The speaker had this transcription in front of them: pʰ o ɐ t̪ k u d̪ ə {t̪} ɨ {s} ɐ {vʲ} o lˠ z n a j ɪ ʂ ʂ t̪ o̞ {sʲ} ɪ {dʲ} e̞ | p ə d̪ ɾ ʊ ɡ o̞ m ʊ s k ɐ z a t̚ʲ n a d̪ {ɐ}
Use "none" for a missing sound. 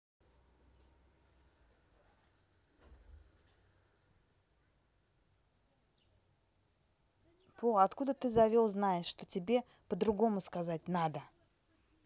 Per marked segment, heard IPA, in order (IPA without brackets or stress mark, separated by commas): t̪, z, vʲ, tʲ, bʲ, ə